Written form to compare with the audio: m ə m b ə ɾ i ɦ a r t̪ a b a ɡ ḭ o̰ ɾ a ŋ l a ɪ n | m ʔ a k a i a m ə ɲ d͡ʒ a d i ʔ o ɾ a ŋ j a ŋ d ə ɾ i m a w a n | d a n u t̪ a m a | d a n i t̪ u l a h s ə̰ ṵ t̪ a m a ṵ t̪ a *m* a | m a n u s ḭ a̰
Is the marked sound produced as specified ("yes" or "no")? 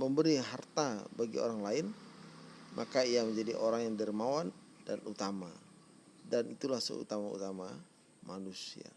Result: yes